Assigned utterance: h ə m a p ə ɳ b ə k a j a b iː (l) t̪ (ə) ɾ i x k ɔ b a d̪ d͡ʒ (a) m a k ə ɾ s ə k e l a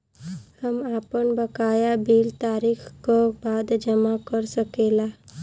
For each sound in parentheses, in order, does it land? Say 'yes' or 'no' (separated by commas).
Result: yes, no, no